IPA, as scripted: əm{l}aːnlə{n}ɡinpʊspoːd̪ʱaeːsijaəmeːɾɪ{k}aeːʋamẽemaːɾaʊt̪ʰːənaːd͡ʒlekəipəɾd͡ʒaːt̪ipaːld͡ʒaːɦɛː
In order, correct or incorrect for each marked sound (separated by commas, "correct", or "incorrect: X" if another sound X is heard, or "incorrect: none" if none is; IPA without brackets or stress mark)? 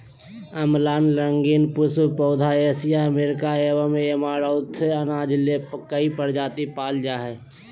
correct, incorrect: ŋ, correct